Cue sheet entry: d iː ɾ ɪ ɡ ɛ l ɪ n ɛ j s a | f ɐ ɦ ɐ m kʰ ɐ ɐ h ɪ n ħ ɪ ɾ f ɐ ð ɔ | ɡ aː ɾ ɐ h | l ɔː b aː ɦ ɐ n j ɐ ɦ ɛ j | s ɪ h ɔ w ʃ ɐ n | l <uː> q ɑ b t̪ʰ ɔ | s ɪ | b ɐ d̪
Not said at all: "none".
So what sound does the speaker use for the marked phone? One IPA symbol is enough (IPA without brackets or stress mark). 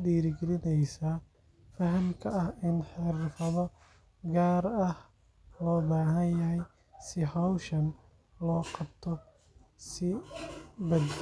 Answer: ɔː